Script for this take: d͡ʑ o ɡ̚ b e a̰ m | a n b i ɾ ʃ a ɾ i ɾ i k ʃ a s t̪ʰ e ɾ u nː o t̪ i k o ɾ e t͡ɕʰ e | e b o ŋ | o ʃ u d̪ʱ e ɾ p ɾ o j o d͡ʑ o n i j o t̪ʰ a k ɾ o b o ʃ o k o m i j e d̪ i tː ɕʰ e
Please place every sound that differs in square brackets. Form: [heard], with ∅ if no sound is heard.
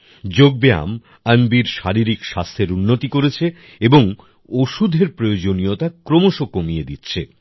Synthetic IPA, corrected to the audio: d͡ʑ o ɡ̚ b e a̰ m | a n b i ɾ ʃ a ɾ i ɾ i k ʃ a s t̪ʰ e ɾ u nː o t̪ i k o ɾ e t͡ɕʰ e | e b o ŋ | o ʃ u d̪ʱ e ɾ p ɾ o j o d͡ʑ o n i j o [t̪] a k ɾ o [m] o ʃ o k o m i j e d̪ i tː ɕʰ e